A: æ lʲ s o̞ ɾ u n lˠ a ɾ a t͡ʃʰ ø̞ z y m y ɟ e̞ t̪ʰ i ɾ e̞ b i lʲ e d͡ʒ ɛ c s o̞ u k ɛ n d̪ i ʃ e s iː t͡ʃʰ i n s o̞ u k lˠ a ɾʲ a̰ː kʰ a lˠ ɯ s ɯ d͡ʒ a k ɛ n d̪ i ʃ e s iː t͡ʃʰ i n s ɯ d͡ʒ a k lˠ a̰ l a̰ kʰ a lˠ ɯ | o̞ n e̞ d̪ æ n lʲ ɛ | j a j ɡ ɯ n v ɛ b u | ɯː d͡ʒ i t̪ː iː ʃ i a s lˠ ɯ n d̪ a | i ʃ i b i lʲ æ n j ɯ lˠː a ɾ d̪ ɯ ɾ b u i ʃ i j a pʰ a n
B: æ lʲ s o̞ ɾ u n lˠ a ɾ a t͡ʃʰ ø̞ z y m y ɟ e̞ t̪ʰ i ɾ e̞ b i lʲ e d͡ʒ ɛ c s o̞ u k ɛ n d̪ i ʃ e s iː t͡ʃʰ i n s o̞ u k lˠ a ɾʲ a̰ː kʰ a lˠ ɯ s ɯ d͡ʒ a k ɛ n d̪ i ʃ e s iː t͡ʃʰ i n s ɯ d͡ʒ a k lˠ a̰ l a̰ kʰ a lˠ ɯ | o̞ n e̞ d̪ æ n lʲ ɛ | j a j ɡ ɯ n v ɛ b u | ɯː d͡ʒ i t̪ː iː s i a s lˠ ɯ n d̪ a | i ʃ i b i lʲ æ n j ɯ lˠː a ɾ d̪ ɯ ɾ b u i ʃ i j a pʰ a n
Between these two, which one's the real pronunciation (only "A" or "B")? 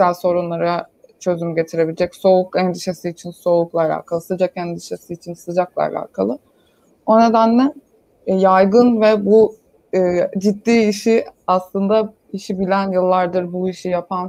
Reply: A